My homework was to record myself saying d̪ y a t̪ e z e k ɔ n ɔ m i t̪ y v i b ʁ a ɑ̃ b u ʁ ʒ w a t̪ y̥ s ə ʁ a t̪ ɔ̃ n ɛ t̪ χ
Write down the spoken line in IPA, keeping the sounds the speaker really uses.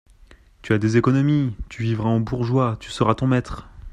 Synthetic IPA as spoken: t̪ y a d̪ e z e k ɔ n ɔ m i t̪ y v i v ʁ a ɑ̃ b u ʁ ʒ w a t̪ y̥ s ə ʁ a t̪ ɔ̃ m ɛ t̪ χ